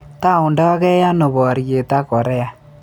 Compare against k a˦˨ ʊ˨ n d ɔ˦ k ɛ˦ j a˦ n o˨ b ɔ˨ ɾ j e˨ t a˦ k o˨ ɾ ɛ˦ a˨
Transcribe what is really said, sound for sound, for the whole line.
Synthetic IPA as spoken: t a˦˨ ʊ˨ n d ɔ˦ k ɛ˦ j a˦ n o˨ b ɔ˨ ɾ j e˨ t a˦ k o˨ ɾ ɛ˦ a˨

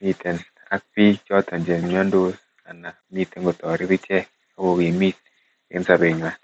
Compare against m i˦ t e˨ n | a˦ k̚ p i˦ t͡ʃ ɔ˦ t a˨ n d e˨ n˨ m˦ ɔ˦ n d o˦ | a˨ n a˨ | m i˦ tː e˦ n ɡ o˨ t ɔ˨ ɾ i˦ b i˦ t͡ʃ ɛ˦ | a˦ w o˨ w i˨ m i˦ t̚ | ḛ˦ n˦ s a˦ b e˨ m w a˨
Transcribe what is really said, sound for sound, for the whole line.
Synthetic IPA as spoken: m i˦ t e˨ n | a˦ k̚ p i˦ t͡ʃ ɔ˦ t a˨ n d͡ʒ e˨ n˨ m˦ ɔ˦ n d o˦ | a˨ n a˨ | m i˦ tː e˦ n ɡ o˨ t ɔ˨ ɾ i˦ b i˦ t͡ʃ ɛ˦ | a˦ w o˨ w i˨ m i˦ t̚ | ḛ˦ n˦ s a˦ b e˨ ɲ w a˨

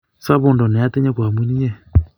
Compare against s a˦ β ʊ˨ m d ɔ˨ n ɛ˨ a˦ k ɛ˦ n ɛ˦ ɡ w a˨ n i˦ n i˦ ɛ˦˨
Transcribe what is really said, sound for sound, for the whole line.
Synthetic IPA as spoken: s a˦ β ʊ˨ n d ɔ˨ n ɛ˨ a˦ t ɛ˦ ɲ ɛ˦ k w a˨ m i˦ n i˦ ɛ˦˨

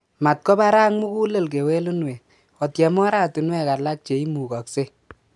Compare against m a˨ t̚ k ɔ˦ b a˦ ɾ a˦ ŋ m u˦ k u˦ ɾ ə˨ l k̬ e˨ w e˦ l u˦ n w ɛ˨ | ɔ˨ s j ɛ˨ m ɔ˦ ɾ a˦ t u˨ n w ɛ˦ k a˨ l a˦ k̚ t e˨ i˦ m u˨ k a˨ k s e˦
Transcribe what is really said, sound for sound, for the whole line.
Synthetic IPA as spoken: m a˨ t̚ k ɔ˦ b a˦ ɾ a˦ ŋ m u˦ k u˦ l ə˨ l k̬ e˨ w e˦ l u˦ n w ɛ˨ | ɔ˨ t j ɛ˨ m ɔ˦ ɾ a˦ t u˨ n w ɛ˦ k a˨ l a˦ k̚ t͡ʃ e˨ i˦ m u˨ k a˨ k s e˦

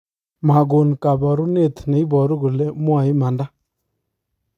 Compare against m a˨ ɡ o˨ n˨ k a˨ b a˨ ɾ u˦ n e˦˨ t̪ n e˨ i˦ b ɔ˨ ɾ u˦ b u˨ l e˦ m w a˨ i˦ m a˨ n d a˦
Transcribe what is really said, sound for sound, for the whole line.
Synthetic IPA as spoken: m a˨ ɡ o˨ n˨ k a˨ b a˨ ɾ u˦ n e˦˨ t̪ n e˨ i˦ b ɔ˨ ɾ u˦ ɡ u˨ l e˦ m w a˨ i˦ m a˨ n d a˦

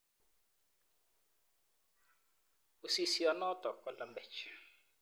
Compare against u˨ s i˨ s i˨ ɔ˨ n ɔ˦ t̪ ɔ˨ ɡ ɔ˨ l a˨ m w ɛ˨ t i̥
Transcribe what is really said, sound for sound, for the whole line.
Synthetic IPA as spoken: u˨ s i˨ s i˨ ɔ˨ n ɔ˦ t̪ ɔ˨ k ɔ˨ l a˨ m b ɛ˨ t͡ʃ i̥

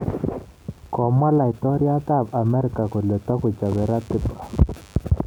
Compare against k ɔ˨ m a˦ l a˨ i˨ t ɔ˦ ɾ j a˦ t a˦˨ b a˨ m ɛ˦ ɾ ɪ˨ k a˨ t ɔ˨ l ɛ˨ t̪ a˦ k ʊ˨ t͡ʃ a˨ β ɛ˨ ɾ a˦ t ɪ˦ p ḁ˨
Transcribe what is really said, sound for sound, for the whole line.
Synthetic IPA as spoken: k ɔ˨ m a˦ l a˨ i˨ t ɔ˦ ɾ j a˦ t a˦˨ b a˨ m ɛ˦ ɾ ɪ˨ k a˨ k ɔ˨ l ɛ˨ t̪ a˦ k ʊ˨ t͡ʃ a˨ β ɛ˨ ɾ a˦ t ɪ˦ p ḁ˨

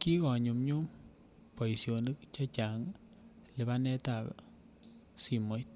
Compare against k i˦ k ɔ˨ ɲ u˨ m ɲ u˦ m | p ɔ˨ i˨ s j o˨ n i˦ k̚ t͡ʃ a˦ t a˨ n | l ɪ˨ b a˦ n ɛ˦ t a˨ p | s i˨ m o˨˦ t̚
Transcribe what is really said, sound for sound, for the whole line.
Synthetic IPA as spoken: k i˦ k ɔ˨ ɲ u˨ m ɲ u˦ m | p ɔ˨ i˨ s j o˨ n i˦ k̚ t͡ʃ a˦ t͡ʃ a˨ ŋ | l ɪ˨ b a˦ n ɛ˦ t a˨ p | s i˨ m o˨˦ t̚

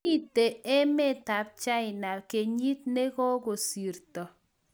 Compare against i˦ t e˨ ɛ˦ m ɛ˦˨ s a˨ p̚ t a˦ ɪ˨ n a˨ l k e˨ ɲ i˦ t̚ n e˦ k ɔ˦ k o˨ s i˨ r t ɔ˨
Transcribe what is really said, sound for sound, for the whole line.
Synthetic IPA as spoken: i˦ t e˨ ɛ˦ m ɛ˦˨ t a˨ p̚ t͡ʃ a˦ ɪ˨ n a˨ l k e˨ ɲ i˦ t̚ n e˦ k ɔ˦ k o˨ s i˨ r t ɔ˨

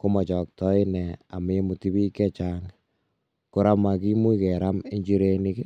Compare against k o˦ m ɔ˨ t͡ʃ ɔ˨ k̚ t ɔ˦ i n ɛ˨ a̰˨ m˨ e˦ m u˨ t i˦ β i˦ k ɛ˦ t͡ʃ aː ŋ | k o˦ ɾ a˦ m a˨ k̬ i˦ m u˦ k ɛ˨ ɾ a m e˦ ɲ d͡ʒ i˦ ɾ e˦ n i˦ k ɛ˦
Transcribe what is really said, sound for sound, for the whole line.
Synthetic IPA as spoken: k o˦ m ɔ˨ t͡ʃ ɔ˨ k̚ t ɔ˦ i n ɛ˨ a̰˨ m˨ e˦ m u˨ t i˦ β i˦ k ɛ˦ t͡ʃ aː ŋ | k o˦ ɾ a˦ m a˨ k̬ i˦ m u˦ k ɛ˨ ɾ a m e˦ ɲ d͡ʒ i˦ ɾ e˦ n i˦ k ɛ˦

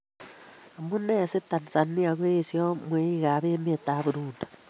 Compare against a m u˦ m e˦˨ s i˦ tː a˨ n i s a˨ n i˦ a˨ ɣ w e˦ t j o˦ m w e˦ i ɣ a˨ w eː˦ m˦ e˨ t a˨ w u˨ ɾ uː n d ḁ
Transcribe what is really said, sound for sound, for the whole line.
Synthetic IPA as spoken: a m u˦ n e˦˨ s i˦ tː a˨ n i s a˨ n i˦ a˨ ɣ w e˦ s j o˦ m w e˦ i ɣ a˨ β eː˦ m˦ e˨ t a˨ β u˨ ɾ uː n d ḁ

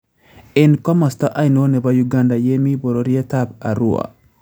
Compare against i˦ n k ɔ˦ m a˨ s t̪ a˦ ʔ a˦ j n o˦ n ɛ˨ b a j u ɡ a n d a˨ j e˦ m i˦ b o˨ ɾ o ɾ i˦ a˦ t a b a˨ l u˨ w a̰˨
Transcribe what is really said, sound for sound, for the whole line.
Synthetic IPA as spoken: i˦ n k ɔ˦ m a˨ s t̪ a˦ ʔ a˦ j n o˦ n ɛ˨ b a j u ɡ a n d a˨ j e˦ m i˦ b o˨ ɾ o ɾ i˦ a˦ t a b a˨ ɾ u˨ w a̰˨

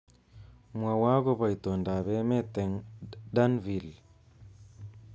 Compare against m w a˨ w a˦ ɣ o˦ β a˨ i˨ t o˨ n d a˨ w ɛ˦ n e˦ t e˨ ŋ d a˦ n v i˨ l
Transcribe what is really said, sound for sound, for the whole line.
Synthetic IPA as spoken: m w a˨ w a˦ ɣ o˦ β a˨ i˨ t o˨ n d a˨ β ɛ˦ m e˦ t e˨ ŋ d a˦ n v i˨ l

